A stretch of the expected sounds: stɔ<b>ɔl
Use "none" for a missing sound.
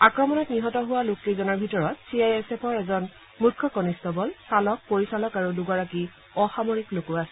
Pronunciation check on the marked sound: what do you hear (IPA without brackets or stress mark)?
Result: b